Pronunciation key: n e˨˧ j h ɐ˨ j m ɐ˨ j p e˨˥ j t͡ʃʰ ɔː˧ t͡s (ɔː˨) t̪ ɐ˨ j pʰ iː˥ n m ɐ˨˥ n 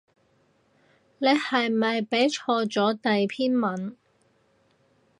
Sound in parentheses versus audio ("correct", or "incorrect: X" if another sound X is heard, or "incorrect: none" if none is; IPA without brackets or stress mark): incorrect: ɔː˨˥